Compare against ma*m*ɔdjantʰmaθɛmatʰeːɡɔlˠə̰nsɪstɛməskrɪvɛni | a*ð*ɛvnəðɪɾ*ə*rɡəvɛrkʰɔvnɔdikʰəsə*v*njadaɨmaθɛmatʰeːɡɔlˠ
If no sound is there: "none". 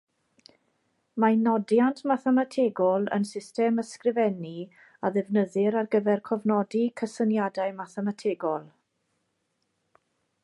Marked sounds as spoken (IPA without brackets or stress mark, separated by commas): n, ð, a, none